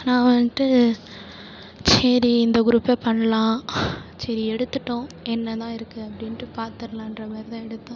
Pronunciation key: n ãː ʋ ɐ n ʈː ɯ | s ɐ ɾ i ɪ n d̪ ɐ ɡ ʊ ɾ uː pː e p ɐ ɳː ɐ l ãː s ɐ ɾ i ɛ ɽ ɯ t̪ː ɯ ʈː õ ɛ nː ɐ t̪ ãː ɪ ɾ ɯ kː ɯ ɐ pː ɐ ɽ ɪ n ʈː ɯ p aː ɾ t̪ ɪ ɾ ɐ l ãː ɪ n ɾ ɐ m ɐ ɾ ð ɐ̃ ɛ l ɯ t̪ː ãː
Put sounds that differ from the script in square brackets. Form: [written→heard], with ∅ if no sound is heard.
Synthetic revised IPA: n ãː ʋ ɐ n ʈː ɯ | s ɐ ɾ i ɪ n d̪ ɐ ɡ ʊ ɾ uː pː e p ɐ ɳː ɐ l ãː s ɐ ɾ i ɛ ɽ ɯ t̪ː ɯ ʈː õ ɛ nː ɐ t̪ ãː ɪ ɾ ɯ kː ɯ ɐ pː ɐ ɽ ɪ n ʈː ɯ p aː ɾ t̪ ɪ ɾ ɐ l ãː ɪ n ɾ ɐ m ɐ ɾ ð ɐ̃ ɛ [l→ɽ] ɯ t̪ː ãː